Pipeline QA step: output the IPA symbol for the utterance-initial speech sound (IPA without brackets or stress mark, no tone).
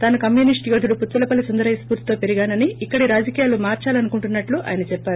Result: t̪